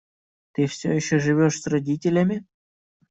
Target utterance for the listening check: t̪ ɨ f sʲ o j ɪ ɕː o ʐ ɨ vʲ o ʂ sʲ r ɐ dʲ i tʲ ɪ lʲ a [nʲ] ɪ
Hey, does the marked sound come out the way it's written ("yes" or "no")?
no